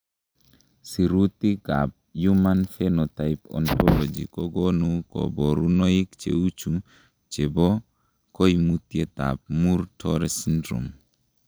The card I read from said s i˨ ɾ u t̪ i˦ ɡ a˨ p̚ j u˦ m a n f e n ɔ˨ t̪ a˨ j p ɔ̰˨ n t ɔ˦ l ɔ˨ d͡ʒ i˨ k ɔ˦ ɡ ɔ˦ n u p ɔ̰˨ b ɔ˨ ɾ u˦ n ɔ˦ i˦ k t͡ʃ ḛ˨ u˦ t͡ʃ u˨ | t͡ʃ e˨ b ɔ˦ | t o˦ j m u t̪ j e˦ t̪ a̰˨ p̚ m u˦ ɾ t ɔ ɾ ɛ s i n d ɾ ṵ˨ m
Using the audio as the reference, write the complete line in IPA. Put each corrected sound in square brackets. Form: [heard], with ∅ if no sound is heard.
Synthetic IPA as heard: s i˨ ɾ u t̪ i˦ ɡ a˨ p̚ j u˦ m a n f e n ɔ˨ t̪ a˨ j p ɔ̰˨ n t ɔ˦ l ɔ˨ d͡ʒ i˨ k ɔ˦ ɡ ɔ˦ n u [k] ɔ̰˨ b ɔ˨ ɾ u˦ n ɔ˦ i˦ k t͡ʃ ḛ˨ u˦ t͡ʃ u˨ | t͡ʃ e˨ b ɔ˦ | [k] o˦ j m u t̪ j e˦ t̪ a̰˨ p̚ m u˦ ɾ t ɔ ɾ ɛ s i n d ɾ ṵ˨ m

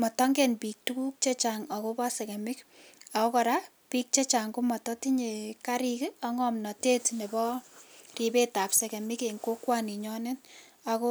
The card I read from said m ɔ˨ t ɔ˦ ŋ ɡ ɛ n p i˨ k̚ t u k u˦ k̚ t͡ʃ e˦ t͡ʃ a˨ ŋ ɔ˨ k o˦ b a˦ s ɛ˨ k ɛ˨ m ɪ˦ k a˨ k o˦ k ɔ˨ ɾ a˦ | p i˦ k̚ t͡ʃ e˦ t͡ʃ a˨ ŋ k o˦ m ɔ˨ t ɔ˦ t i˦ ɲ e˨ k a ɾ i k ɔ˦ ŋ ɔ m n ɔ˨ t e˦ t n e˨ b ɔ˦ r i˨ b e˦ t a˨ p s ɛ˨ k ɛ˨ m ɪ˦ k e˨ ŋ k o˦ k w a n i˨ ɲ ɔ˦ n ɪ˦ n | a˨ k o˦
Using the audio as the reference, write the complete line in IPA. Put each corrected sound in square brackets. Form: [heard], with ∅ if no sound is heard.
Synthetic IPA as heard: m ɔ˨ t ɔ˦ ŋ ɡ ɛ n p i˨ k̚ t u k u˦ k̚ t͡ʃ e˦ t͡ʃ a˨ ŋ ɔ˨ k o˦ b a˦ s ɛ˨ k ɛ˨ m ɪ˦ k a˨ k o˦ k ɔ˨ ɾ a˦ | p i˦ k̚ t͡ʃ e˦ t͡ʃ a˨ ŋ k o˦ m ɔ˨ t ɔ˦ t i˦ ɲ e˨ k a ɾ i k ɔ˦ ŋ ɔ m n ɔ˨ t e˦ t n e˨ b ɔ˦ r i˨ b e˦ t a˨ p s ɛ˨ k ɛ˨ m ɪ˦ k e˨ ŋ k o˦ k w a n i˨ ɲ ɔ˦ n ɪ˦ n | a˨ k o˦

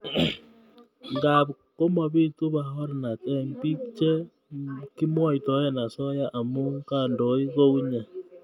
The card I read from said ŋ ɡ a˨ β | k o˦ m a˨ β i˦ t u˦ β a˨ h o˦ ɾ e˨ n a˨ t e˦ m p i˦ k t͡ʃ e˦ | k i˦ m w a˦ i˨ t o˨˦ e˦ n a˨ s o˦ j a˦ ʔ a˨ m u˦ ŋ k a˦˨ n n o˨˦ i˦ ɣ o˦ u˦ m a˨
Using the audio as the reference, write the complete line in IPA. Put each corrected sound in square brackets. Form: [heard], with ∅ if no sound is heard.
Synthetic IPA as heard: ŋ ɡ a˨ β | k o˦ m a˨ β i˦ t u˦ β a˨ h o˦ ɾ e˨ n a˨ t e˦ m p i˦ k t͡ʃ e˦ | k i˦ m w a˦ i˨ t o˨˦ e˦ n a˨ s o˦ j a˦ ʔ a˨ m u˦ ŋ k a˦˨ n [d] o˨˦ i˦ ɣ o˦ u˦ [ɲ] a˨

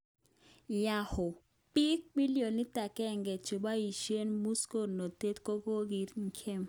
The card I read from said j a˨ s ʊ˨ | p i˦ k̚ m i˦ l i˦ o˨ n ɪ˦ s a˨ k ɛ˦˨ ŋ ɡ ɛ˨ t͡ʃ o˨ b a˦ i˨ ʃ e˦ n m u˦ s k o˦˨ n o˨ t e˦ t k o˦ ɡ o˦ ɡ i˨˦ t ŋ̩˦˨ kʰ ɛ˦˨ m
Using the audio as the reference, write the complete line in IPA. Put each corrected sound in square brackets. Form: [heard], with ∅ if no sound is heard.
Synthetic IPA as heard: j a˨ [h] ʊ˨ | p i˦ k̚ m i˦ l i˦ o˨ n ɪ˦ [t] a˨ k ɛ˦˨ ŋ ɡ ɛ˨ t͡ʃ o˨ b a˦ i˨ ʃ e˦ n m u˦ s k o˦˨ n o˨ t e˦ t k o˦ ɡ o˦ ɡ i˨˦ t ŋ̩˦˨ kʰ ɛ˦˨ m

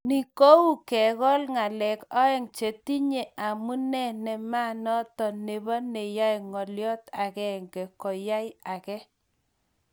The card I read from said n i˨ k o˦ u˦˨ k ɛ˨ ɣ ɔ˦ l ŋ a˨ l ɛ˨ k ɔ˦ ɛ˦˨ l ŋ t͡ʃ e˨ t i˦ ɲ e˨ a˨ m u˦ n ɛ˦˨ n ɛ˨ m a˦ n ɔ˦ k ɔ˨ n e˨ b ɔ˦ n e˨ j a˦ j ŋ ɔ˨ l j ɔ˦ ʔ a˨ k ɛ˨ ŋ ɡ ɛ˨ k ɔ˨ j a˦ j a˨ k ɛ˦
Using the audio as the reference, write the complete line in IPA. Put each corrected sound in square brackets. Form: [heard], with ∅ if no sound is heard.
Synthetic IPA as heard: n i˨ k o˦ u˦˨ k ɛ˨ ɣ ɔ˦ l ŋ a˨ l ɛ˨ k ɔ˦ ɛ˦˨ [∅] ŋ t͡ʃ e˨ t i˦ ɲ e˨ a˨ m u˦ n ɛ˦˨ n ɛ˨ m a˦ n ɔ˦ [t] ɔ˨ n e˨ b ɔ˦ n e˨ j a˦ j ŋ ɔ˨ l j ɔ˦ [t] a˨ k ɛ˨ ŋ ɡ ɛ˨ k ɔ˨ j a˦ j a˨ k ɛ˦

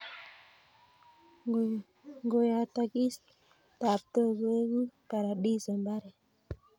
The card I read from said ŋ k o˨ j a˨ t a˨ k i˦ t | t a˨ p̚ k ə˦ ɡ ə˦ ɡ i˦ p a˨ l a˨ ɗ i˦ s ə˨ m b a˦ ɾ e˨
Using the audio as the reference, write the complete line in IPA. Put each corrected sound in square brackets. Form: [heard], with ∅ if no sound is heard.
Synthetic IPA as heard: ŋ [ɡ] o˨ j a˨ t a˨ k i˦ [s] | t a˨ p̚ [t] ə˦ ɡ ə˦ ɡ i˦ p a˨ [ɾ] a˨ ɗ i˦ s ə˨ m b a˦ ɾ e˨

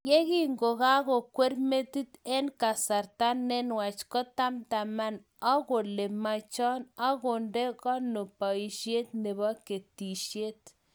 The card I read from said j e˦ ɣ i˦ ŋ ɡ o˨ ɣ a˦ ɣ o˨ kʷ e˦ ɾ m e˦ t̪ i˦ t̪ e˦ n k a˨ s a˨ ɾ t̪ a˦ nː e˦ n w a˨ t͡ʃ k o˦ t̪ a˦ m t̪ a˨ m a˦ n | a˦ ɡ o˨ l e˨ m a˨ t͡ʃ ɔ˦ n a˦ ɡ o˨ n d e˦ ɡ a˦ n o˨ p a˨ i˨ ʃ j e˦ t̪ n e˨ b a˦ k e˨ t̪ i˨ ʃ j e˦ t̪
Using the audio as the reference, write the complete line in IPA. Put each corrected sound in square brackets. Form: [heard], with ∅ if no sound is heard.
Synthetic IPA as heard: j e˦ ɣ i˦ ŋ ɡ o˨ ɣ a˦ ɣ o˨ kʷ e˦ ɾ m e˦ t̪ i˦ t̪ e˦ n k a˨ s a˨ ɾ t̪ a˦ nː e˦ n w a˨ t͡ʃ k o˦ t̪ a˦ m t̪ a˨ m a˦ n | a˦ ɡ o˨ l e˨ m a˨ t͡ʃ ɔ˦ n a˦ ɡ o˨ n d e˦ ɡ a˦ n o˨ p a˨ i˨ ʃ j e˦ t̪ n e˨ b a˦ k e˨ t̪ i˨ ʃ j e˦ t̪

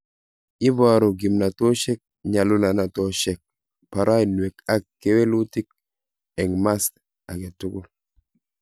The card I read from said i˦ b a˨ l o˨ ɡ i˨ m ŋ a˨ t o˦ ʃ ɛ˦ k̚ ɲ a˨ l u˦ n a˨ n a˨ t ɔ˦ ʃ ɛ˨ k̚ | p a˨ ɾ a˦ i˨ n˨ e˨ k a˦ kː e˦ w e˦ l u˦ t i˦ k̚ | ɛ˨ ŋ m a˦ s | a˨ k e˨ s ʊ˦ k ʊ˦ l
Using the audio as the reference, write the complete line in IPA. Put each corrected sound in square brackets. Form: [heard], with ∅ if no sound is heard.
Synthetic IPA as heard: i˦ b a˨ [ɾ] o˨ ɡ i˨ m [n] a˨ t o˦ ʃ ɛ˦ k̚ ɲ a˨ l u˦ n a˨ n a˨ t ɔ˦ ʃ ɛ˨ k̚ | p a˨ ɾ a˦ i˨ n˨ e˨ k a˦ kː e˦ w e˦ l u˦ t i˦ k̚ | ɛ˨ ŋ m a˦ s | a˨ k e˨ [t] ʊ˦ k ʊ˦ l

